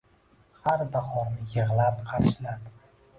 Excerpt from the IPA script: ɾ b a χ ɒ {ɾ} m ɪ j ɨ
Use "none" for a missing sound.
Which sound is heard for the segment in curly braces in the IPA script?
ɾ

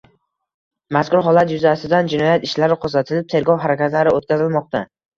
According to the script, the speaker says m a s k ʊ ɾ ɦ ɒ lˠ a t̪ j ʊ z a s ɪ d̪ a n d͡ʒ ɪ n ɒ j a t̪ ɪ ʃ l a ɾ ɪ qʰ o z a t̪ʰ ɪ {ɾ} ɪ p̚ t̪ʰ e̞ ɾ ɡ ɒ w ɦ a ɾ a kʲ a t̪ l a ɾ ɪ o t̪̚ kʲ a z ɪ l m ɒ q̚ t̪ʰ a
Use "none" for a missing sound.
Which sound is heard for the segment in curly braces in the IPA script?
l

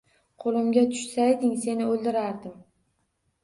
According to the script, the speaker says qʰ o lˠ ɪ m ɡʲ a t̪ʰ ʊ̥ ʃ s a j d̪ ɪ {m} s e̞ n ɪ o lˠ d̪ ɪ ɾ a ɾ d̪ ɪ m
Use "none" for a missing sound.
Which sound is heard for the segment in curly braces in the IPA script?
ŋ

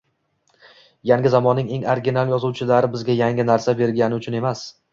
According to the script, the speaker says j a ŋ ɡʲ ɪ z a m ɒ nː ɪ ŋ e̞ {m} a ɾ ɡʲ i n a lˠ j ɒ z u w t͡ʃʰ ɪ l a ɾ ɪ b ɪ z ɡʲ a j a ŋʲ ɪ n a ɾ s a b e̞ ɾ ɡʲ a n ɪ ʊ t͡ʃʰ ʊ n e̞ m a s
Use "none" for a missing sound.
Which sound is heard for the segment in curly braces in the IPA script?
ŋ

